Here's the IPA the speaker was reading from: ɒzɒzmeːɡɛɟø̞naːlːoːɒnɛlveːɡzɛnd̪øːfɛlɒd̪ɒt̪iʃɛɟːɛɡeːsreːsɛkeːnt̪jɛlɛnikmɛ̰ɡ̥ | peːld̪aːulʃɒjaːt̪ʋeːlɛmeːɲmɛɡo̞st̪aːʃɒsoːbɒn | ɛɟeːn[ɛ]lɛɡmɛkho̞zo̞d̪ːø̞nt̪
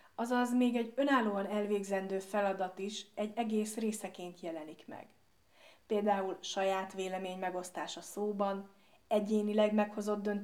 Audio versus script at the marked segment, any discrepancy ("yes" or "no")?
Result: yes